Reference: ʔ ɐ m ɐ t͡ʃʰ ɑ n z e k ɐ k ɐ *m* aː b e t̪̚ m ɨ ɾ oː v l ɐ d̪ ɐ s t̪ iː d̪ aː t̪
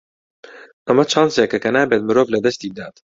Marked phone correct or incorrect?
incorrect: n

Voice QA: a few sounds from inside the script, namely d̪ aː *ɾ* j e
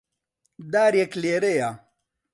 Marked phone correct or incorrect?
correct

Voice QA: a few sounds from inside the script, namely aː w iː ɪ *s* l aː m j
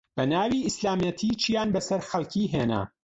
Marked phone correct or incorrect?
correct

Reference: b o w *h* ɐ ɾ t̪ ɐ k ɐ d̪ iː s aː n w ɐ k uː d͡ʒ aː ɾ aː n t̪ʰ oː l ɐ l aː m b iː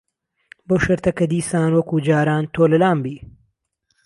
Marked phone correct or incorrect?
incorrect: ʃ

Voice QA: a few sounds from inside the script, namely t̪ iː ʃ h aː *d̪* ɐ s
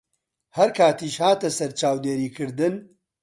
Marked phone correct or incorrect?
incorrect: t̪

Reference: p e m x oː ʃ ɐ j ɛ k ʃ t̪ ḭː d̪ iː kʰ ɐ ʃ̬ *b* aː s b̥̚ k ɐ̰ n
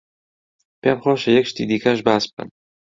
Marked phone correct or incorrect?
correct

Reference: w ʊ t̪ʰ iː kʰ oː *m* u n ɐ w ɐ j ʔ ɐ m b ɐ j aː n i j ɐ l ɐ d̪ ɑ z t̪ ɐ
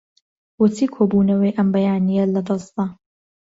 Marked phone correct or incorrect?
incorrect: b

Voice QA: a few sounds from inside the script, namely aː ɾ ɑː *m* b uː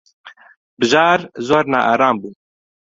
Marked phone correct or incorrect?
correct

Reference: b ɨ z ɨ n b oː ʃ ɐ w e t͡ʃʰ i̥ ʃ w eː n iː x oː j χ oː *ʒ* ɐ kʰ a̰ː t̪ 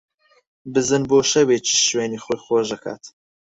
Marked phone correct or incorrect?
correct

